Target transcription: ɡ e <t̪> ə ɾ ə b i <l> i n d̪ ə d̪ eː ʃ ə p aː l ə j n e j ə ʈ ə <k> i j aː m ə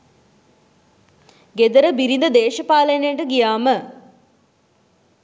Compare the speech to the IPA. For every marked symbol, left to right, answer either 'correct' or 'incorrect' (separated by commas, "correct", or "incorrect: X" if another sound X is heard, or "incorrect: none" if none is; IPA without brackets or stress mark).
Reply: incorrect: d̪, incorrect: ɾ, incorrect: ɡ